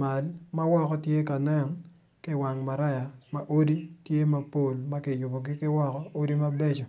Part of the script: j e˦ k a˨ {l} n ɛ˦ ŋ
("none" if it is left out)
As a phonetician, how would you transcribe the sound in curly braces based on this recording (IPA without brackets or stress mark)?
none